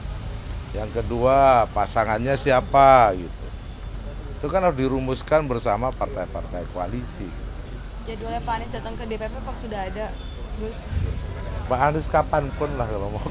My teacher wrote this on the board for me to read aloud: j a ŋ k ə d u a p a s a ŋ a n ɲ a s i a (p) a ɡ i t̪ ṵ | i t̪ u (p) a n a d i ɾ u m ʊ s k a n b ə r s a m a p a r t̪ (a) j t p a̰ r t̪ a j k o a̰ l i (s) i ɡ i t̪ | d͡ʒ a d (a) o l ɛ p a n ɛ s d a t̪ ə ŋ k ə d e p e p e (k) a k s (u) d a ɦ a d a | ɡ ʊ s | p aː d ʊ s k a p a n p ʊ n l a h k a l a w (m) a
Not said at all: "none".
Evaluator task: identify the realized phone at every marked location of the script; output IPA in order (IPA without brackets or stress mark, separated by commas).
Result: p, k, a, s, i, p, u, m